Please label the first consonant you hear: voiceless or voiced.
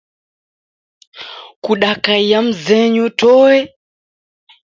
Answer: voiceless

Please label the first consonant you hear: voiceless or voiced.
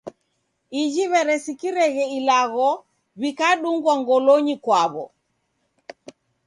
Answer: voiced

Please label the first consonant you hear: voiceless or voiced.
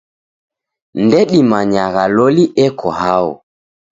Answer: voiced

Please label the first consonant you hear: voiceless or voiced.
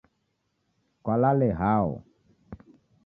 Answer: voiceless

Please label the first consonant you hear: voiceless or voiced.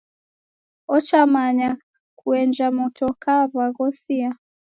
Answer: voiceless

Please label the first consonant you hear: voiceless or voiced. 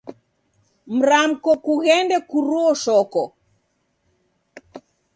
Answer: voiced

